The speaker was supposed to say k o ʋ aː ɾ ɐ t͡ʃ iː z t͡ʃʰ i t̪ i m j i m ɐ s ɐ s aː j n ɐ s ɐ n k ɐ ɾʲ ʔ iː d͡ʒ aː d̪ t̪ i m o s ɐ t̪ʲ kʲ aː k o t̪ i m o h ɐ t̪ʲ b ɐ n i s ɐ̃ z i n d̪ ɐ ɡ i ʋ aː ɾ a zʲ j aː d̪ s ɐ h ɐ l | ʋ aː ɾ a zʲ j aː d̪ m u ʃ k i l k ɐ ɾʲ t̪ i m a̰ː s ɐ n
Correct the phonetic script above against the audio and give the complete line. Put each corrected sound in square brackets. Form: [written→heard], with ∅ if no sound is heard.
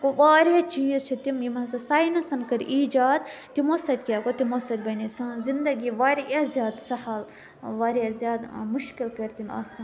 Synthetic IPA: k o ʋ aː ɾ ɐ t͡ʃ iː z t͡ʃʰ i t̪ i m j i m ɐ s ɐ s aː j n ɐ s ɐ n k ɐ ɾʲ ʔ iː d͡ʒ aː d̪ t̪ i m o s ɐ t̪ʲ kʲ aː k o t̪ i m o [h→s] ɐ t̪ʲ b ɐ n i s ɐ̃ z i n d̪ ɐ ɡ i ʋ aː ɾ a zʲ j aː d̪ s ɐ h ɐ l | ʋ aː ɾ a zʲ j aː d̪ m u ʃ k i l k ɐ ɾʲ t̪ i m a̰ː s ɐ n

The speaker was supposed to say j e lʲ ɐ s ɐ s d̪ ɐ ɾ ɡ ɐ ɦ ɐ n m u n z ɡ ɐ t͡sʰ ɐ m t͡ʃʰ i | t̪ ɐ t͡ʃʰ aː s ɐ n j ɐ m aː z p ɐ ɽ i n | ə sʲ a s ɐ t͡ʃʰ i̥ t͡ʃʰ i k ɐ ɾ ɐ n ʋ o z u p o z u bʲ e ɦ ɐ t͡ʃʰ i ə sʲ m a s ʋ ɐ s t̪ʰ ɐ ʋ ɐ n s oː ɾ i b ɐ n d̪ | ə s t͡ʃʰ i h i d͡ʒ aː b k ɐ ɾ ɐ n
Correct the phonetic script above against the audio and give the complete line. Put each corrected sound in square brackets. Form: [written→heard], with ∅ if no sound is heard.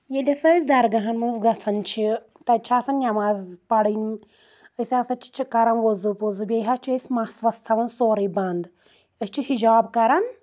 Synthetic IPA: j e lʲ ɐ s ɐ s d̪ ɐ ɾ ɡ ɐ ɦ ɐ n m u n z ɡ ɐ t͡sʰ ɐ [m→n] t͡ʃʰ i | t̪ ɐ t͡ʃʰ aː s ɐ n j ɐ m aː z p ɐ ɽ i n | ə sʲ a s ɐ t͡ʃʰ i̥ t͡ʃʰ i k ɐ ɾ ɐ n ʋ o z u p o z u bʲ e ɦ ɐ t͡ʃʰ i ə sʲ m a s ʋ ɐ s t̪ʰ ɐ ʋ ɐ n s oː ɾ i b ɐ n d̪ | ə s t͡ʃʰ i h i d͡ʒ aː b k ɐ ɾ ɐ n

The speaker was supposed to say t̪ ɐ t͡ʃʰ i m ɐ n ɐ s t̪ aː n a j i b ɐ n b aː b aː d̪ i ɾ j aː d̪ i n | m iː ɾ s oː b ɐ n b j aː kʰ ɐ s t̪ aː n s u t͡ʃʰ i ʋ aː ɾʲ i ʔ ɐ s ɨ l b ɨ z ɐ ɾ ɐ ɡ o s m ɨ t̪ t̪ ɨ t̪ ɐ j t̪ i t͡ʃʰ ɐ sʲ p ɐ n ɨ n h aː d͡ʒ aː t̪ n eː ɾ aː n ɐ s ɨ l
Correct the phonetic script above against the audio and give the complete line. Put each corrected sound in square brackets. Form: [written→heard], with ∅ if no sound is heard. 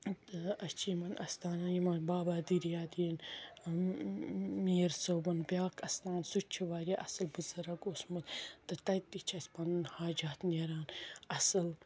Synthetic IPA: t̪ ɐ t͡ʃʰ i m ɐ n ɐ s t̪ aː n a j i [b→m] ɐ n b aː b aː d̪ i ɾ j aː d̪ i n | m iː ɾ s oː b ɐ n b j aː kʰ ɐ s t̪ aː n s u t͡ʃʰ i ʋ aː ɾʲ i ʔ ɐ s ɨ l b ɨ z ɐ ɾ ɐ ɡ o s m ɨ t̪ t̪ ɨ t̪ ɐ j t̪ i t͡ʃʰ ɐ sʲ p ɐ n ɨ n h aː d͡ʒ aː t̪ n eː ɾ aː n ɐ s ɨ l

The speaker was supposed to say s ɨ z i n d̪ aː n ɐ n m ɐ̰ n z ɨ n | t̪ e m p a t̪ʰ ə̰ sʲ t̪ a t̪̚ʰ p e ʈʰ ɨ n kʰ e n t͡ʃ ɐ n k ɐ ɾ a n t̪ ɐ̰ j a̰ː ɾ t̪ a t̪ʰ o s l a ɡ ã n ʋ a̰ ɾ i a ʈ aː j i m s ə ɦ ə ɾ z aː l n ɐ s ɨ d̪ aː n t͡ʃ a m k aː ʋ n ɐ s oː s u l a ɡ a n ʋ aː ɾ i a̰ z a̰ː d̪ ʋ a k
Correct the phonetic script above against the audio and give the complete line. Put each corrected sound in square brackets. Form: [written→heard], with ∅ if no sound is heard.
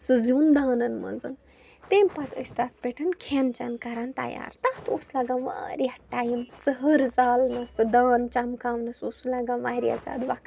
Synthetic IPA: s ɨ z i n d̪ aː n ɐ n m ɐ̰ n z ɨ n | t̪ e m p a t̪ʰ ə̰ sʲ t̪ a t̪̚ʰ p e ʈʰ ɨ n kʰ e n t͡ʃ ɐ n k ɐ ɾ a n t̪ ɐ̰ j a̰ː ɾ t̪ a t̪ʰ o s l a ɡ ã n ʋ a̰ ɾ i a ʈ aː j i m s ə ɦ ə ɾ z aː l n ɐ s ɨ d̪ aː n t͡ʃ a m k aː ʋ n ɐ s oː s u l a ɡ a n ʋ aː ɾ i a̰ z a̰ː d̪ ʋ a k

